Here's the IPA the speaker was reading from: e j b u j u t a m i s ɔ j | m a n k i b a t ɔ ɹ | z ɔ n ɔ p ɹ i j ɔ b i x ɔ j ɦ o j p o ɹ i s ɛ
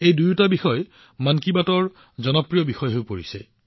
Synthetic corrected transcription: e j d u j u t a b i x ɔ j | m a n k i b a t ɔ ɹ | z ɔ n ɔ p ɹ i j ɔ b i x ɔ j ɦ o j p o ɹ i s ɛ